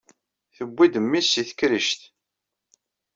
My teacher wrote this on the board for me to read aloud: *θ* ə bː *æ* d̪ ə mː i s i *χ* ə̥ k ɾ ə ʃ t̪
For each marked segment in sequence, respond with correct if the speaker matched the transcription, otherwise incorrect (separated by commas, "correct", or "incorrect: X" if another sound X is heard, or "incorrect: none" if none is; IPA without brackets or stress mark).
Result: correct, incorrect: i, incorrect: θ